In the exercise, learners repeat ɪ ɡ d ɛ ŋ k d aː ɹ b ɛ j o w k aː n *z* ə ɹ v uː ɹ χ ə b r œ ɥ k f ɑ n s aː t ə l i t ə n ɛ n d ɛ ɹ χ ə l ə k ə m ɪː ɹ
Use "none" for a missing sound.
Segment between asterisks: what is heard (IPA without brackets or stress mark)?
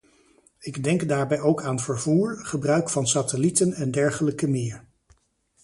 v